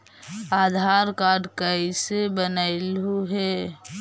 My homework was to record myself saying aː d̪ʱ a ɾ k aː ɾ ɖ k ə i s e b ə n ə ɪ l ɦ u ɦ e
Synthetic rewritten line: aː d̪ʱ a ɾ k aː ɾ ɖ k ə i s e b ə n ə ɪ l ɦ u ɦ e